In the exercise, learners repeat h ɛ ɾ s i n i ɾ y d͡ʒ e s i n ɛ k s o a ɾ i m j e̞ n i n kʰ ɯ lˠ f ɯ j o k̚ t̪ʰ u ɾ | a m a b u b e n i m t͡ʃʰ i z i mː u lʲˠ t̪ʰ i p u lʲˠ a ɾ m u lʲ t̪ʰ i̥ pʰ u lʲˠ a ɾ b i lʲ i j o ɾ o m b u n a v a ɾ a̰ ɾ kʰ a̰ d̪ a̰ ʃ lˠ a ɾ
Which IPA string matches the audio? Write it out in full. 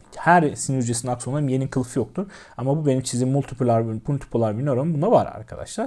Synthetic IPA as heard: h æ ɾ s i n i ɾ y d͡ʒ e s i n a k s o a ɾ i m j e̞ n i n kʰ ɯ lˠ f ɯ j o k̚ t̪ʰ u ɾ | a m a b u b e n i m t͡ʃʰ i z i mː u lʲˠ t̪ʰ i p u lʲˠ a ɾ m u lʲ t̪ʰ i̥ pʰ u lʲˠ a ɾ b i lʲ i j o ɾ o m b u n a v a ɾ a̰ ɾ kʰ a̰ d̪ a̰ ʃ lˠ a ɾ